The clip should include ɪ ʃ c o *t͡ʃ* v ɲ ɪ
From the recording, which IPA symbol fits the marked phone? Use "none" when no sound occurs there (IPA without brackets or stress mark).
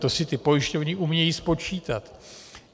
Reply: none